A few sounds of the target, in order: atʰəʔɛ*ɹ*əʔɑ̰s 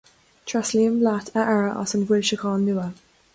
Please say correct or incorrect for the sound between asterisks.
correct